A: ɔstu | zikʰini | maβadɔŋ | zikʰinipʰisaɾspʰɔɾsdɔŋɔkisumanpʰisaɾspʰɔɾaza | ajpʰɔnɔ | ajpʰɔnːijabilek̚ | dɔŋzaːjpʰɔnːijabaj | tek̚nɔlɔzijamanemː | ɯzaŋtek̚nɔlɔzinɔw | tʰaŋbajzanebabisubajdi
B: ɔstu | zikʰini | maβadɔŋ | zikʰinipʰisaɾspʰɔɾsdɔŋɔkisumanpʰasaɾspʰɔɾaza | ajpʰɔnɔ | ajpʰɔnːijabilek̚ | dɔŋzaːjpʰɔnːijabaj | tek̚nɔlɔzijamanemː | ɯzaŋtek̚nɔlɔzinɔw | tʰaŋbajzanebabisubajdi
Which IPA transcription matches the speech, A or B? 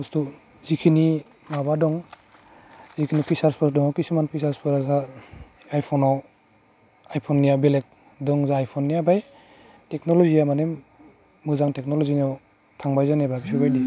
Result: A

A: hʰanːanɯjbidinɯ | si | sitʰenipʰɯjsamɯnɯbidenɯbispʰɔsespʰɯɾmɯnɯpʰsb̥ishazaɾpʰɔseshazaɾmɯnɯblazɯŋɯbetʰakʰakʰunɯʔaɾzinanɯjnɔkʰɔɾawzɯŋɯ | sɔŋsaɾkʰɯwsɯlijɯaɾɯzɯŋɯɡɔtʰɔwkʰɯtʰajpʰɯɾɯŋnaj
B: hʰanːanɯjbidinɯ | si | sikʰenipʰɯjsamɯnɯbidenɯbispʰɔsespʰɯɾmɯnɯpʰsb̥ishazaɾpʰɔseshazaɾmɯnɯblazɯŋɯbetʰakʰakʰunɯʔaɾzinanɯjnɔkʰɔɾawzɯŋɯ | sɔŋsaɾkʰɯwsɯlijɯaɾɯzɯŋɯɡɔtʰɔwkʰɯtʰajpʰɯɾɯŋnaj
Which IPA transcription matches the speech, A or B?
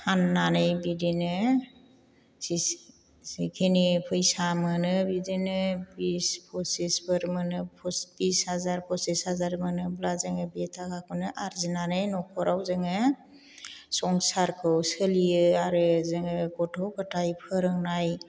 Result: B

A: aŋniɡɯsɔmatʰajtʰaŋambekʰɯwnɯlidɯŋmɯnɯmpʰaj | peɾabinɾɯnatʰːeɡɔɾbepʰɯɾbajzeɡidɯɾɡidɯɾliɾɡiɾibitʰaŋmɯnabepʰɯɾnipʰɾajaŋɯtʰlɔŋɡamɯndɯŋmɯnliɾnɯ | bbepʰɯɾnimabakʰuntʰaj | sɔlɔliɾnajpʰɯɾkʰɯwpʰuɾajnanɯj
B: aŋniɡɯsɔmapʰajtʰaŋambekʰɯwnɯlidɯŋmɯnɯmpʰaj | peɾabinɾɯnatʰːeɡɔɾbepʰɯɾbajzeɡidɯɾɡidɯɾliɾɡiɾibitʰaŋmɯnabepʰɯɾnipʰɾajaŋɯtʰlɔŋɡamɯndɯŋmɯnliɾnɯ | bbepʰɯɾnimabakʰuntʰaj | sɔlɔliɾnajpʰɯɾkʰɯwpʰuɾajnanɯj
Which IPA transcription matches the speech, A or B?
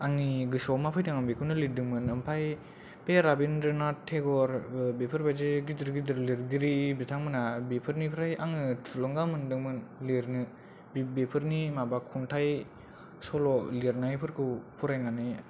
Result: B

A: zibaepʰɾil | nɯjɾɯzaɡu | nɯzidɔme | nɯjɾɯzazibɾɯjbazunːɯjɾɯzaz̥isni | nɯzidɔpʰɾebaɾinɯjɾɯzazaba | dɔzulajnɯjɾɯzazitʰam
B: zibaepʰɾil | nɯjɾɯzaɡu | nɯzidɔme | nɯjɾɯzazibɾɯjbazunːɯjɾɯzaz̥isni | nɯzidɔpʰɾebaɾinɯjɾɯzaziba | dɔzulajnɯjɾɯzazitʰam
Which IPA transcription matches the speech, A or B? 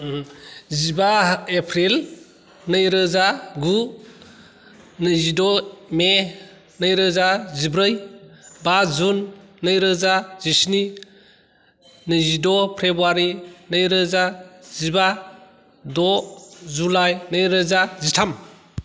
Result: B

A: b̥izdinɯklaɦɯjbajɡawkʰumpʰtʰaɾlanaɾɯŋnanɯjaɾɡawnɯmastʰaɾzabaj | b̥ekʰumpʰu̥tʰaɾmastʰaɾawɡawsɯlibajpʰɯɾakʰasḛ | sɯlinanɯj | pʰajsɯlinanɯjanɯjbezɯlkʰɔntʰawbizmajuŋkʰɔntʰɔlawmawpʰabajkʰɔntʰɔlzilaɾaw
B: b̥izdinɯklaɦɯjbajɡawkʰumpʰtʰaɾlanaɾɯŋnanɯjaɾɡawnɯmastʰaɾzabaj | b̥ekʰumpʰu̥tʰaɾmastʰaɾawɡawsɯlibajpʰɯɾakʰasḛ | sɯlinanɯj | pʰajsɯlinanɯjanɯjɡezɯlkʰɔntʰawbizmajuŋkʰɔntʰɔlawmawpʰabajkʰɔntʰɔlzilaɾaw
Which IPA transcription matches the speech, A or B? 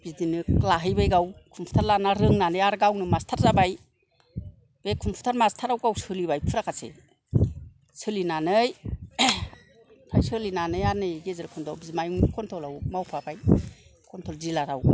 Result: B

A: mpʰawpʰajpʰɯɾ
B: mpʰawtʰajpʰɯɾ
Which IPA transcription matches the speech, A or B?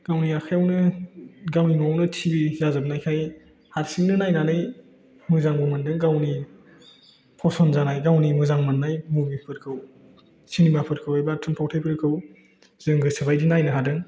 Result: B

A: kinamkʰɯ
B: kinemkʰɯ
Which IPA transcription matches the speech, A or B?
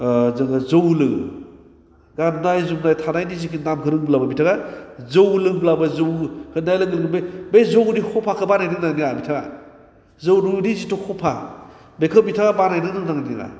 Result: A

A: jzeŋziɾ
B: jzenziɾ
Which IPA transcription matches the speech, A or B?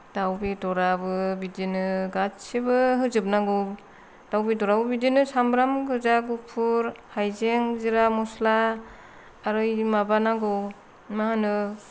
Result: A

